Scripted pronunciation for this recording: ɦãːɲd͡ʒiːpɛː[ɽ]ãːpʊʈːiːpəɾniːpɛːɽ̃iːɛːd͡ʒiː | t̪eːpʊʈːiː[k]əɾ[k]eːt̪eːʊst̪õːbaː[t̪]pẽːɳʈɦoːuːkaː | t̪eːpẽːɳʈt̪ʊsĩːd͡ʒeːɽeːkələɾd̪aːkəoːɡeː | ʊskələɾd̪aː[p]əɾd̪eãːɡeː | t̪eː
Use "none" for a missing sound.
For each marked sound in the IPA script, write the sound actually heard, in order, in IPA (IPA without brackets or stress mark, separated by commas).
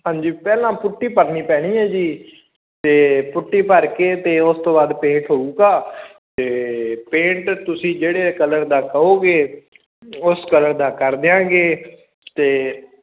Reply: l, p, k, d̪, k